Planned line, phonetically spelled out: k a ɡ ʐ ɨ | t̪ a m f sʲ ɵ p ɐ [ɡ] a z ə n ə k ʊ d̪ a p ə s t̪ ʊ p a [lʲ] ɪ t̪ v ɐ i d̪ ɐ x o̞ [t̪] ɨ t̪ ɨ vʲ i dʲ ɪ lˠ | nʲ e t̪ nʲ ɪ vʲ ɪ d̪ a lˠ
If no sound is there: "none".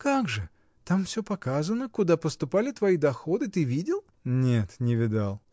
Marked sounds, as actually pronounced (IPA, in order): k, lʲ, d̪

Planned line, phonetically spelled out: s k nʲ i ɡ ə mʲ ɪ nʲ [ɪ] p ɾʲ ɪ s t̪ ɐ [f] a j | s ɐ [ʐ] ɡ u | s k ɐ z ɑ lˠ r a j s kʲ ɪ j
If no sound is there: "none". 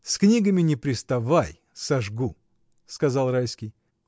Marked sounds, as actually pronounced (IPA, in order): ɪ, v, ʐ

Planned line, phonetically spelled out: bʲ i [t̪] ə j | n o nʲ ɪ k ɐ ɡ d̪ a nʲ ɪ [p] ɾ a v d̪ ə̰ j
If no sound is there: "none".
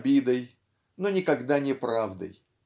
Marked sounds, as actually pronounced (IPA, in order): d̪, p

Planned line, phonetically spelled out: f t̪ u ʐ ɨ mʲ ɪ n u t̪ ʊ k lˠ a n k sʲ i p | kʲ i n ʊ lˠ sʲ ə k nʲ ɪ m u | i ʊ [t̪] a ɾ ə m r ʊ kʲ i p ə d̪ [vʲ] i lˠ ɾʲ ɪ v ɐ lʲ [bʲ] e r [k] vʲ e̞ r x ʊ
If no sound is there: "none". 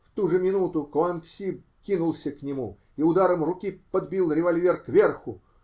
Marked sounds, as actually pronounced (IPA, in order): d̪, bʲ, vʲ, k

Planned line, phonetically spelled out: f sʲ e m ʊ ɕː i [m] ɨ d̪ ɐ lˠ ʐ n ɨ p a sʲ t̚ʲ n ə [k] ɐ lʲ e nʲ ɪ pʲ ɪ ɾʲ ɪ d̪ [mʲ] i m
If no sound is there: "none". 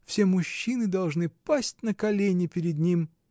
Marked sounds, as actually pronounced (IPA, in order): n, k, nʲ

